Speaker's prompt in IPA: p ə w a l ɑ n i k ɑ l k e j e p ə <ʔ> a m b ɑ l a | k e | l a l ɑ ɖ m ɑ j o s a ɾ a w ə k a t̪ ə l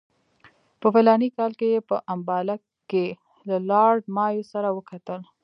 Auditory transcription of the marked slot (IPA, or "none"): ʔ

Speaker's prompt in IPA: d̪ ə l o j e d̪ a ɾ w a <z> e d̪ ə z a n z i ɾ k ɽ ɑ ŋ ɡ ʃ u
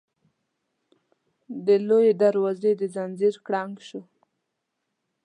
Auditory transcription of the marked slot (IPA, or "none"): z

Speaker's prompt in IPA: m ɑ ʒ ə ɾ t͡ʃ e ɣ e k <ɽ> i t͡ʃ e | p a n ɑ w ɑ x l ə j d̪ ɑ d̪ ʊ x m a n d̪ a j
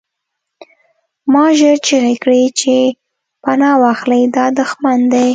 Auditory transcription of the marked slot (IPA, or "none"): ɽ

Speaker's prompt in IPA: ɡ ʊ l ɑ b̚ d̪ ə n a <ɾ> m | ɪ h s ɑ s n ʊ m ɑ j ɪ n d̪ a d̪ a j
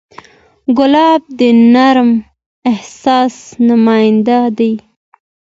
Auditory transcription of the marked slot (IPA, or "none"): ɾ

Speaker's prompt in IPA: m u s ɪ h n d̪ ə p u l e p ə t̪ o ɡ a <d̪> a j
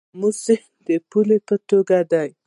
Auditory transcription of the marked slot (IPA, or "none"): d̪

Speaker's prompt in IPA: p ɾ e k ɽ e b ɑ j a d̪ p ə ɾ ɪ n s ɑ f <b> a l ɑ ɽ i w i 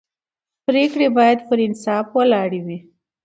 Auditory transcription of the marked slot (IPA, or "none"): w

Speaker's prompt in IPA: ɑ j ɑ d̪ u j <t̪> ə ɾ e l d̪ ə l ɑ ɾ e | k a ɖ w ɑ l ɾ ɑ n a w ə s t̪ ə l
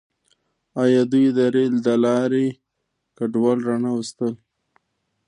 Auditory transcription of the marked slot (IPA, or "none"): d̪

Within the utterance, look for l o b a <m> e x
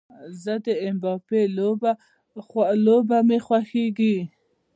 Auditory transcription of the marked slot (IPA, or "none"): m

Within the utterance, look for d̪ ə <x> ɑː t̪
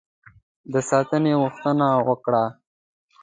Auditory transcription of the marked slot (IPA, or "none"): s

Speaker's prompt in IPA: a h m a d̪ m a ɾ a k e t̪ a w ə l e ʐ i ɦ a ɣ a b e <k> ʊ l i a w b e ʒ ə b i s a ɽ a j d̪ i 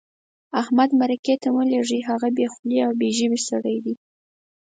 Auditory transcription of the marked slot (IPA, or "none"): x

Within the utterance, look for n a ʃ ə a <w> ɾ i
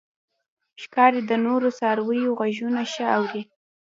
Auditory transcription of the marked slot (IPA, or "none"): w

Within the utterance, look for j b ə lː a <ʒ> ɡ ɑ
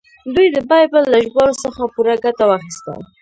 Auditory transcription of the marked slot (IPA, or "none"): ʒ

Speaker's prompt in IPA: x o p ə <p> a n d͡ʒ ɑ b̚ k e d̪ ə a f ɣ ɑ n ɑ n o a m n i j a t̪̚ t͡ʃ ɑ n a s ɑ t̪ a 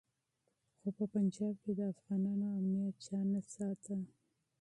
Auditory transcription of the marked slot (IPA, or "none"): p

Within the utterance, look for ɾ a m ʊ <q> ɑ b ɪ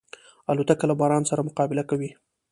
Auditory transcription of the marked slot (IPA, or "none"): q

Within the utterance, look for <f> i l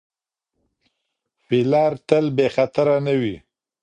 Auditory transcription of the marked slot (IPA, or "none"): f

